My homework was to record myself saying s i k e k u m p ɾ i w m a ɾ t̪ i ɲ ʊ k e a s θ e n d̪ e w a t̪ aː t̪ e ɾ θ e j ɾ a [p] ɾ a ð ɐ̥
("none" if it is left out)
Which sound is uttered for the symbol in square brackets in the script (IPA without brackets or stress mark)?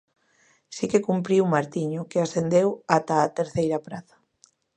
p